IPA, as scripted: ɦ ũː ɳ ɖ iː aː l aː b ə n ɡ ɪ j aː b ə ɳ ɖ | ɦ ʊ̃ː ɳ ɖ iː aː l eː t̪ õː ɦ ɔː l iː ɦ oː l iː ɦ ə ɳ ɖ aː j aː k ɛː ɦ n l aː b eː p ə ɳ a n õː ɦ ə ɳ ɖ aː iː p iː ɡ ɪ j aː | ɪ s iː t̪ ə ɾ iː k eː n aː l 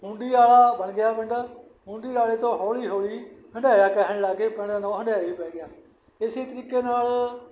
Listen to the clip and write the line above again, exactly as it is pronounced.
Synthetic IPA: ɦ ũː ɳ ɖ iː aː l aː b ə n ɡ ɪ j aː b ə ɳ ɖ | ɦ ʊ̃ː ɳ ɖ iː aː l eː t̪ õː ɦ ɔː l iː ɦ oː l iː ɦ ə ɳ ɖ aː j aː k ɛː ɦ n l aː ɡ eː p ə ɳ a n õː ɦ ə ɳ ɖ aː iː p ɛː ɡ ɪ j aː | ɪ s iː t̪ ə ɾ iː k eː n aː l